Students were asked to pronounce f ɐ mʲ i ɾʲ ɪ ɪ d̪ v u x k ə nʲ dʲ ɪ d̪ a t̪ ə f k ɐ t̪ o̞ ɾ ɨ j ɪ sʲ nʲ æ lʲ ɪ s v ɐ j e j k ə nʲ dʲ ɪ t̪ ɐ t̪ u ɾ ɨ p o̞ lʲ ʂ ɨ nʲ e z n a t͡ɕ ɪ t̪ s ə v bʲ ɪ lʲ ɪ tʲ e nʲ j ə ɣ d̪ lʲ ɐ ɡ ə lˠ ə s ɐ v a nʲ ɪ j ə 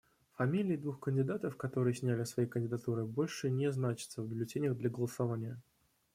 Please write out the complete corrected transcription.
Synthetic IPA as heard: f ɐ mʲ i lʲ ɪ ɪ d̪ v u x k ə nʲ dʲ ɪ d̪ a t̪ ə f k ɐ t̪ o̞ ɾ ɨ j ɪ sʲ nʲ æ lʲ ɪ s v ɐ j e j k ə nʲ dʲ ɪ d̪ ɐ t̪ u ɾ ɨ b o̞ lʲ ʂ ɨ nʲ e z n a t͡ɕ ɪ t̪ s ə v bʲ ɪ lʲ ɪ tʲ e nʲ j ə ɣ d̪ lʲ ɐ ɡ ə lˠ ə s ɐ v a nʲ ɪ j ə